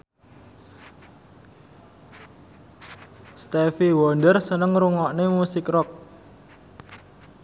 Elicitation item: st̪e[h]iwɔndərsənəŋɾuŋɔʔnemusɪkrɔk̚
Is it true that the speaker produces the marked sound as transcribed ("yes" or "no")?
no